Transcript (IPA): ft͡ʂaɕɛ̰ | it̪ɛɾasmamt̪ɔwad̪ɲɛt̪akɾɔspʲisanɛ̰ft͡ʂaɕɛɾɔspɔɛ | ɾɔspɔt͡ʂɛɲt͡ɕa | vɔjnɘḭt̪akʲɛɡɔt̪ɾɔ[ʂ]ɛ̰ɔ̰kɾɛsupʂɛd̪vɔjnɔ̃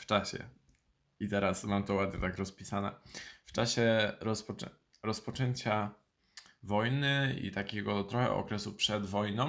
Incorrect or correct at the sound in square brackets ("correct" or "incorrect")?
incorrect